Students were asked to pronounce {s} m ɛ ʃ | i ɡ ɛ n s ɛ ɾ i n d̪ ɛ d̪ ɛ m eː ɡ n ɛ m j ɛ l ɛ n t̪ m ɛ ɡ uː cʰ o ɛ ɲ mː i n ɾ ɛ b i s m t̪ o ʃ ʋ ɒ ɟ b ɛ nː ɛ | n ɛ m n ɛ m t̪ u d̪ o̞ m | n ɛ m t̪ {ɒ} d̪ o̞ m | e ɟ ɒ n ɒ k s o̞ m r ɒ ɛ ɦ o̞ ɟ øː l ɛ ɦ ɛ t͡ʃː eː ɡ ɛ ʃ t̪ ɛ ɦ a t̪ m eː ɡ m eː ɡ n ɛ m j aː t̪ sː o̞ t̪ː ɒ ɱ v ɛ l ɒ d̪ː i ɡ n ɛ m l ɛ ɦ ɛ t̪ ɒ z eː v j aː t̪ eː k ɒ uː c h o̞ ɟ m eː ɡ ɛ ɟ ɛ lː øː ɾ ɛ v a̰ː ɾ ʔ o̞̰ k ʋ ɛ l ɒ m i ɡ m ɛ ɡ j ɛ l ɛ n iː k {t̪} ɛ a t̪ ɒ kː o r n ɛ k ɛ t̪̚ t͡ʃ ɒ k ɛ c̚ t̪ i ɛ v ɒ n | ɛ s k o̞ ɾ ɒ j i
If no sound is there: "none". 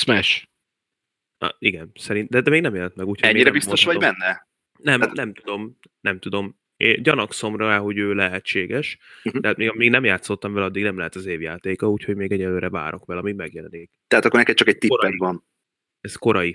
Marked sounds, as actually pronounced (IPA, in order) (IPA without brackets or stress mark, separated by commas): s, u, t̪